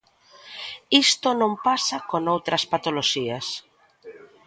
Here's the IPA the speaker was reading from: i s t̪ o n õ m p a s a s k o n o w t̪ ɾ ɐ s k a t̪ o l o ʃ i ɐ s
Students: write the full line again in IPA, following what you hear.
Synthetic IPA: i s t̪ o n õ m p a s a k o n o w t̪ ɾ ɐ s p a t̪ o l o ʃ i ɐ s